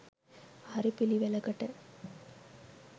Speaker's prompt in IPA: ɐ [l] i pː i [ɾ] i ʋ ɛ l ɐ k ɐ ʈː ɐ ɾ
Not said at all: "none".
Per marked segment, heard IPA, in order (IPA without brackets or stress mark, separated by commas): ɾ, l